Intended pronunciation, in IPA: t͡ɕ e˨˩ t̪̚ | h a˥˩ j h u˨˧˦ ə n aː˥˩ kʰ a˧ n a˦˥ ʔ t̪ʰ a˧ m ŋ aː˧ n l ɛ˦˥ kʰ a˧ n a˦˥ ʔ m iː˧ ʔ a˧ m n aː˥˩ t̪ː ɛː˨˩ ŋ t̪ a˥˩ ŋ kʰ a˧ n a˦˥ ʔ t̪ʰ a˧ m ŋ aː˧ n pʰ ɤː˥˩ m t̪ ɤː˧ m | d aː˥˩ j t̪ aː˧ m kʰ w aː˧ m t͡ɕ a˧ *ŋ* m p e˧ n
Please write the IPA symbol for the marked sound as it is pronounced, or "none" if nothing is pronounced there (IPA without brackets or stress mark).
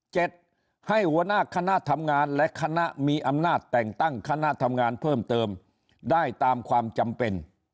none